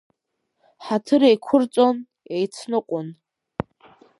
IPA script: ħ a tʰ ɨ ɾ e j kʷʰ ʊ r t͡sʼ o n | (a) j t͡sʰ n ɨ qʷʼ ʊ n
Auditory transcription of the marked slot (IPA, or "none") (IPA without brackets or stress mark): e